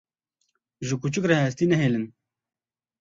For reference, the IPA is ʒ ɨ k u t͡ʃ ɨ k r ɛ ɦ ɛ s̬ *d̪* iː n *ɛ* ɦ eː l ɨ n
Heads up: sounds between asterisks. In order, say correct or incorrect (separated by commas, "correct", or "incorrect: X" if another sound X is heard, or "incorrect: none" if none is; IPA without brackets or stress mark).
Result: incorrect: t̪, correct